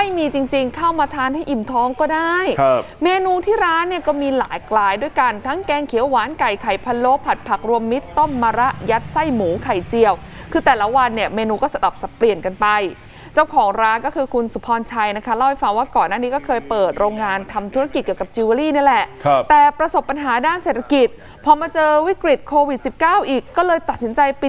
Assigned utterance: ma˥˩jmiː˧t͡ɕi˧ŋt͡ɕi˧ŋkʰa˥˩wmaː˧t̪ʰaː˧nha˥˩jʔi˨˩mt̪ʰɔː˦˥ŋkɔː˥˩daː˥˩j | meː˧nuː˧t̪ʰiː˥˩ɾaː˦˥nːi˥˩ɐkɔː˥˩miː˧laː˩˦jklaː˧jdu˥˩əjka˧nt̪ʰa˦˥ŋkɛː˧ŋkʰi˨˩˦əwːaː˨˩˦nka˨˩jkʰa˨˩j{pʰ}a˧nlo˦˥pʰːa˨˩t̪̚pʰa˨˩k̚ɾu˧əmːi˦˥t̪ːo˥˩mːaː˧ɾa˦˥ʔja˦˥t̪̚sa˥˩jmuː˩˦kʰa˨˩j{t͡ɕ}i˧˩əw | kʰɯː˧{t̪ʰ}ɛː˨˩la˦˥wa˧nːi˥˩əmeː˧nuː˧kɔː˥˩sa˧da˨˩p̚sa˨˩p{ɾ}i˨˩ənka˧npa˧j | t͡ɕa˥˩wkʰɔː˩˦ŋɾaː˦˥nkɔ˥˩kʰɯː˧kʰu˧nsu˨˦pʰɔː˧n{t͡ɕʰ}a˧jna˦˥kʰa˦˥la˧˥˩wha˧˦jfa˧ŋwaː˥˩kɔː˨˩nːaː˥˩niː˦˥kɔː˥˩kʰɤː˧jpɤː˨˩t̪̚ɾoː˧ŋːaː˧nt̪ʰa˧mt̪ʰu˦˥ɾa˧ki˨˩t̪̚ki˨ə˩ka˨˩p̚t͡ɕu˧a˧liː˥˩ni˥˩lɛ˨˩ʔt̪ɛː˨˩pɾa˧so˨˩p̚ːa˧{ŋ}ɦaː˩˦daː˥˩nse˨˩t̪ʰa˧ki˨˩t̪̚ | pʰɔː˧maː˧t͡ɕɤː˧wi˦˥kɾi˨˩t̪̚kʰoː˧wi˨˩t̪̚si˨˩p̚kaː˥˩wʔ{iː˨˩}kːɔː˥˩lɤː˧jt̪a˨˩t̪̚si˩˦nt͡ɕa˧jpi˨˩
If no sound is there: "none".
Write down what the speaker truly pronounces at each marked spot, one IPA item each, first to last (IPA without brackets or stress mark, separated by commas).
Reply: pʰ, t͡ɕ, t̪, l, t͡ɕʰ, n, iː˨˩